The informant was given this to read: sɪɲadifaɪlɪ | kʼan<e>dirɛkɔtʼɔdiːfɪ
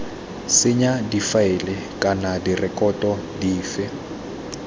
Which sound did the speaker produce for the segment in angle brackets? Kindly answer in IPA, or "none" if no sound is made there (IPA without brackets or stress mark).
a